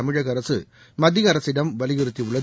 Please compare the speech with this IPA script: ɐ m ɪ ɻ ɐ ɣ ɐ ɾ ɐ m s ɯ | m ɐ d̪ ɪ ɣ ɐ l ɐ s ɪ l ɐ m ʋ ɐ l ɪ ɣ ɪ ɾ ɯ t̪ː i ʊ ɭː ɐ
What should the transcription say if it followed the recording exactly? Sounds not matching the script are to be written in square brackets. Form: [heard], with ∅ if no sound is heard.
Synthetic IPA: ɐ m ɪ ɻ ɐ ɣ ɐ ɾ ɐ [∅] s ɯ | m ɐ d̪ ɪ ɣ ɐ [ɾ] ɐ s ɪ [ɽ] ɐ m ʋ ɐ l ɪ ɣ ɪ ɾ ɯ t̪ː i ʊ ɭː ɐ